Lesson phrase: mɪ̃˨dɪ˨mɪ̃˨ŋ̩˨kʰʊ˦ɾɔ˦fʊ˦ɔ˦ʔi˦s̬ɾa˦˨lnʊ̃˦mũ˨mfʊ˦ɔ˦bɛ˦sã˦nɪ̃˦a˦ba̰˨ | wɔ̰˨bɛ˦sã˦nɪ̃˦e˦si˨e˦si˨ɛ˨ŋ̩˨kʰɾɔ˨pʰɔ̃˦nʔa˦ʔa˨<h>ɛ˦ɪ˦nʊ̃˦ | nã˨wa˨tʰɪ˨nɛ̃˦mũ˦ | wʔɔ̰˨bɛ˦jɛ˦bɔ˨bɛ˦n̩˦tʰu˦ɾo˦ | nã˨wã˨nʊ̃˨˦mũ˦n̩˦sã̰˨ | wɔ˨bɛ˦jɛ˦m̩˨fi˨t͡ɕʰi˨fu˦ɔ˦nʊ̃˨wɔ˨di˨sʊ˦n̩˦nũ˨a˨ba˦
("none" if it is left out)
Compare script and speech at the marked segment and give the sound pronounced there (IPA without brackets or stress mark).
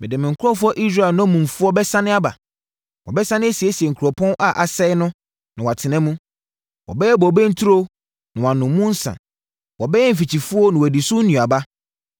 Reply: s